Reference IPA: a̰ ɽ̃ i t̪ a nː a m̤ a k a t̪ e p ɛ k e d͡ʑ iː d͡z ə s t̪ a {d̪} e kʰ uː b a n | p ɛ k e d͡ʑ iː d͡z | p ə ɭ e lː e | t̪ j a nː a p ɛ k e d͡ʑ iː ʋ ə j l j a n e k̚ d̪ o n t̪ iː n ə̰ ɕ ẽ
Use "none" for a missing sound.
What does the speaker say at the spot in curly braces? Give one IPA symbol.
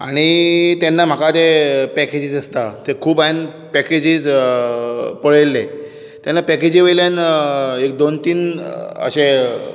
t̪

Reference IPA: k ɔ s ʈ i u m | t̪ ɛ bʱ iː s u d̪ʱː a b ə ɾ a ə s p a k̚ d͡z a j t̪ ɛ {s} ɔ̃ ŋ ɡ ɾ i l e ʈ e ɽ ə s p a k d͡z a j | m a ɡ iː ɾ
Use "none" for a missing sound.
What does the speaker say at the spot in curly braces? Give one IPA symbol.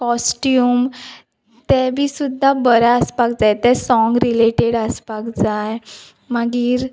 s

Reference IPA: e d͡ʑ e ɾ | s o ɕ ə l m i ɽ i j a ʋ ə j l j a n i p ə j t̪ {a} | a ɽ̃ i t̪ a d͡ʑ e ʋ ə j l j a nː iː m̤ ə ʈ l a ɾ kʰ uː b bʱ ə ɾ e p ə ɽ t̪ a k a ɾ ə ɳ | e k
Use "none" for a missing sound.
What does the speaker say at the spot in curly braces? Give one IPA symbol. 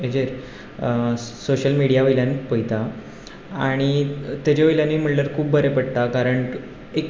a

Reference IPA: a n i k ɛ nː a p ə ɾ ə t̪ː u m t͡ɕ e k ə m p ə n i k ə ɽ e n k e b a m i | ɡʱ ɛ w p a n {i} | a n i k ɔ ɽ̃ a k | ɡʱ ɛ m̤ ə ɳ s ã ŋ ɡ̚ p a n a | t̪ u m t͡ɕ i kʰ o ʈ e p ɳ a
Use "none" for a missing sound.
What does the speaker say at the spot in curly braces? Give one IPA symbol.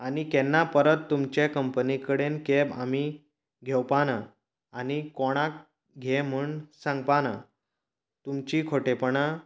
a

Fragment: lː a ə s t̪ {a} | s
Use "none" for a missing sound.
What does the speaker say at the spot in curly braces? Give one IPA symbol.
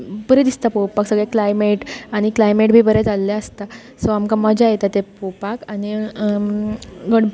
a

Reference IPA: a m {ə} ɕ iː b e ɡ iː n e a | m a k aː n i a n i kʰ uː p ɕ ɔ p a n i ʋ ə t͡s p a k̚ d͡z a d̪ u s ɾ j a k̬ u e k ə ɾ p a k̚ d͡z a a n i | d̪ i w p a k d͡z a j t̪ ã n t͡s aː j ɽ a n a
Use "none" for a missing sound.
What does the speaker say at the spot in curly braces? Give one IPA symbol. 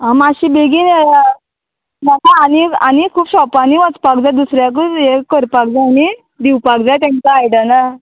a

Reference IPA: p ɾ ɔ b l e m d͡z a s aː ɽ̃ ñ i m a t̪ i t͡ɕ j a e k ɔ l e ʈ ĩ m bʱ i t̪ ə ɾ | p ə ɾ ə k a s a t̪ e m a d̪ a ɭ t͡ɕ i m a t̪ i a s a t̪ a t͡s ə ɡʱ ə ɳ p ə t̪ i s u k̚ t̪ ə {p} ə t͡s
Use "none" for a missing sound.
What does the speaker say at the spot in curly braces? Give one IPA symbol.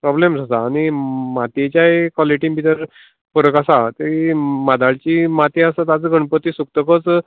k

